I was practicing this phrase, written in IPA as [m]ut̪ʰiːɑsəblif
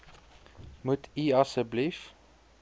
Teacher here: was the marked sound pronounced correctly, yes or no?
yes